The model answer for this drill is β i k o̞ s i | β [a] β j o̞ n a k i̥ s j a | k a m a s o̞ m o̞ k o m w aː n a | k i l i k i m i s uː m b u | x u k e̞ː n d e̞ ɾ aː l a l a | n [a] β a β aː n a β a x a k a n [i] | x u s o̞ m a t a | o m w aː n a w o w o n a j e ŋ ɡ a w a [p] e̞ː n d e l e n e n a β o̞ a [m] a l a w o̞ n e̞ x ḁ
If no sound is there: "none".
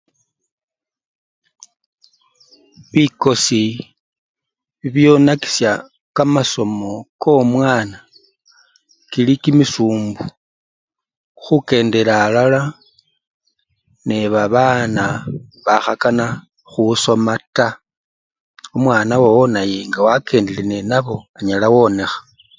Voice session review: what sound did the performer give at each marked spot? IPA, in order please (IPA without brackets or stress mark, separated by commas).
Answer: i, e, a, k, ɲ